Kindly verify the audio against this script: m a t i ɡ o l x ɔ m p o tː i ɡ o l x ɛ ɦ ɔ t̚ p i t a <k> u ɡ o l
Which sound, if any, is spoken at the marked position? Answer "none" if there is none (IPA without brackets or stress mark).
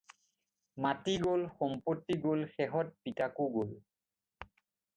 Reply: k